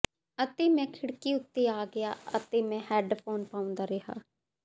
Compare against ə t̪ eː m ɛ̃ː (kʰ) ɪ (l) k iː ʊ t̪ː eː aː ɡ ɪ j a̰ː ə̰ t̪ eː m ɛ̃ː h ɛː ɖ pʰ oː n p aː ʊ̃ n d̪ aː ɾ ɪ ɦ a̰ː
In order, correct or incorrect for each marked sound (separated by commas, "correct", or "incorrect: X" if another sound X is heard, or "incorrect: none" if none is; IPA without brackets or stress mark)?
correct, incorrect: ɽ